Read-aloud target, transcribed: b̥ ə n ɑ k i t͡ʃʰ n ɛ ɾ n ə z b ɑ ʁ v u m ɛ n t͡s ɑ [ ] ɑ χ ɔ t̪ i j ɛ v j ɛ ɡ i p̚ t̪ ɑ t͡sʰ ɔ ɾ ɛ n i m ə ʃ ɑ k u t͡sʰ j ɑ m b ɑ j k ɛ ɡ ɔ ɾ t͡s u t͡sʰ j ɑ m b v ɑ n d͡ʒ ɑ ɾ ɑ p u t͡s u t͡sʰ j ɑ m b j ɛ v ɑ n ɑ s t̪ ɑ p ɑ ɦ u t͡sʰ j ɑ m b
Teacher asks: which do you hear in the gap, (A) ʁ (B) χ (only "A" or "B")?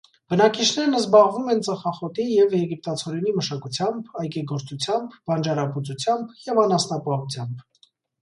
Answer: B